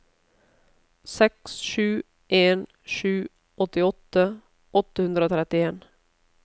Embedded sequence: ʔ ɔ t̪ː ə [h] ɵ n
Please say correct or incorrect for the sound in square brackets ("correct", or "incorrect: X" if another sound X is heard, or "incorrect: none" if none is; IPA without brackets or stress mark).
correct